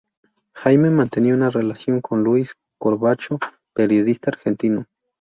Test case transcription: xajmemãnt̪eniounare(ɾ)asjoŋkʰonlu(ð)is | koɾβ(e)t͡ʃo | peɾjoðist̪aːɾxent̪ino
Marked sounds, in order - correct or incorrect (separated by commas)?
incorrect, incorrect, incorrect